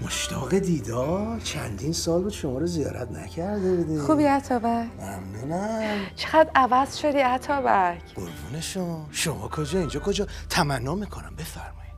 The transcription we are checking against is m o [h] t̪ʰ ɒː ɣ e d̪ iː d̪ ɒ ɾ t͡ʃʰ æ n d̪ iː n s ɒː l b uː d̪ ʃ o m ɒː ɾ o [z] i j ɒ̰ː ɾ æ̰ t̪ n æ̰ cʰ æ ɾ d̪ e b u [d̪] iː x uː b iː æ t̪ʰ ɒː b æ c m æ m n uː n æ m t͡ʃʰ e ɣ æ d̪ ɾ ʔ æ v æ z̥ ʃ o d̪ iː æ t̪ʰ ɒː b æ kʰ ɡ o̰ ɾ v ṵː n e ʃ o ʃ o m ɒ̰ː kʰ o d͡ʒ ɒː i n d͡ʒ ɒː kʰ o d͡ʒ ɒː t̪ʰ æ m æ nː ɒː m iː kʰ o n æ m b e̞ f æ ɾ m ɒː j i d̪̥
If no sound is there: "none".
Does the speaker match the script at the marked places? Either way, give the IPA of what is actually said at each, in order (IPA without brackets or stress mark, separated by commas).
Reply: ʃ, z, d̪